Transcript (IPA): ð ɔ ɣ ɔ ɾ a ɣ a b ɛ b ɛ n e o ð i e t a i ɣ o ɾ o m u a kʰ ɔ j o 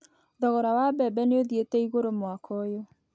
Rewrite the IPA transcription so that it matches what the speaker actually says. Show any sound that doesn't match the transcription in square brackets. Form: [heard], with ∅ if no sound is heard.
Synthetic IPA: ð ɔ ɣ ɔ ɾ a [w] a b ɛ b ɛ n e o ð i e t [ɛ] i ɣ o ɾ o m [w] a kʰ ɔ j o